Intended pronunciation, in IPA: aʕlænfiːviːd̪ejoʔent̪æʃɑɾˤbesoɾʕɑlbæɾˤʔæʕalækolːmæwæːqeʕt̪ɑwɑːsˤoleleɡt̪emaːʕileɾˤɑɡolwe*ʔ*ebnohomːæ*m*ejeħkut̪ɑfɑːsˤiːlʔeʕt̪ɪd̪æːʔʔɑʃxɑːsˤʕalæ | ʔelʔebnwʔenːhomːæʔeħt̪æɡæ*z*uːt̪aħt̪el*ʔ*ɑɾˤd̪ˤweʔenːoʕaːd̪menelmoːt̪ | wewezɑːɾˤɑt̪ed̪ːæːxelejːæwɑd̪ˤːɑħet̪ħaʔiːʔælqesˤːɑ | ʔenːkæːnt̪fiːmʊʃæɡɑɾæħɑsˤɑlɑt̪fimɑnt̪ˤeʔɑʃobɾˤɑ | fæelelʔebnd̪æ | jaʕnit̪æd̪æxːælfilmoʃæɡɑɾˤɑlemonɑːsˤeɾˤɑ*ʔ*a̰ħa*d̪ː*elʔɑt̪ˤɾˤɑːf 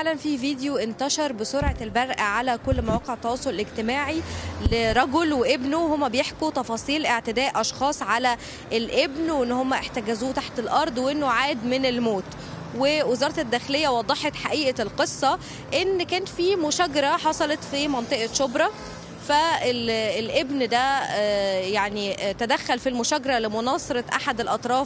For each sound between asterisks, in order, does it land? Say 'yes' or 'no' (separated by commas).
yes, no, yes, yes, yes, no